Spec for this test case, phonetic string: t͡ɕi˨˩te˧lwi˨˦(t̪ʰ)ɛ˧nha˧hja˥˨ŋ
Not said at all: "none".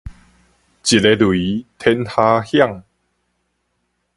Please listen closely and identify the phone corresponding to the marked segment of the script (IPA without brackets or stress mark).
t̪ʰ